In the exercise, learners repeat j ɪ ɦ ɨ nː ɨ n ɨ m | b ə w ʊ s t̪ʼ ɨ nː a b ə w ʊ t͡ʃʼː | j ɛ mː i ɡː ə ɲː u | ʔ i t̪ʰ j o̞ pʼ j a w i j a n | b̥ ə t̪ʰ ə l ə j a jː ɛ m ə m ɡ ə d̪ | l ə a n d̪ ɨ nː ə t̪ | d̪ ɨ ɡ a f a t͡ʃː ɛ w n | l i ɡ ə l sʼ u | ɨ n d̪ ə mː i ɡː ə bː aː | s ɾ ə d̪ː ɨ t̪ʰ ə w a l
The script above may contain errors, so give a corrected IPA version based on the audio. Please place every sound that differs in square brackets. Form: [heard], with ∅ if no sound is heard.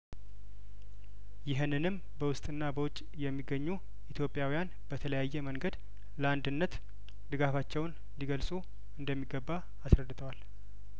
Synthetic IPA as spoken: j ɪ ɦ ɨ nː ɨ n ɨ m | b ə w ʊ s t̪ʼ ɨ nː a b ə w ʊ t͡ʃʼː | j ɛ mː i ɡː ə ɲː u | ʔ i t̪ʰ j o̞ pʼ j a w i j a n | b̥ ə t̪ʰ ə l ə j a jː ɛ m ə [ŋ] ɡ ə d̪ | l ə a n d̪ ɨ nː ə t̪ | d̪ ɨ ɡ a f a t͡ʃː ɛ w n | l i ɡ ə l sʼ u | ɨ n d̪ ə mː i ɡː ə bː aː | s ɾ ə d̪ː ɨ t̪ʰ ə w a l